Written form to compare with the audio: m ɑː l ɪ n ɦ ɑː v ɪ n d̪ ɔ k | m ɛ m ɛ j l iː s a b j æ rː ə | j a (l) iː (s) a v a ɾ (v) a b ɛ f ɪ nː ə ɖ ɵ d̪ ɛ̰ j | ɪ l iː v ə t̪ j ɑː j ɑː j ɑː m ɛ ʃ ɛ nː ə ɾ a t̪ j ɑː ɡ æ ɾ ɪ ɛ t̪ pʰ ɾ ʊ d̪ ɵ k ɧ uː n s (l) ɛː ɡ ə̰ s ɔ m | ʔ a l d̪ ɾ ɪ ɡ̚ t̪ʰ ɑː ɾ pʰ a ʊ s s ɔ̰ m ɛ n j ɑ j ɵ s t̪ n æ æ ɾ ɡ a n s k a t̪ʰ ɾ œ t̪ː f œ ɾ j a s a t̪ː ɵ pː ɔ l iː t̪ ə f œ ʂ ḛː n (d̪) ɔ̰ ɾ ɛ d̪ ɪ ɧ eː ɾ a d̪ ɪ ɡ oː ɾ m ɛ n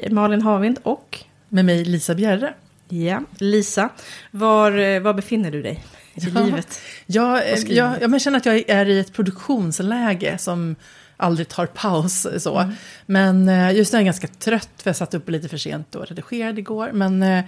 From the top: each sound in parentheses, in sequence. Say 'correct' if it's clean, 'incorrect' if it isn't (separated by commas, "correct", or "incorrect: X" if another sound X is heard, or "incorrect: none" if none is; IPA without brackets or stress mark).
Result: correct, correct, correct, correct, incorrect: t̪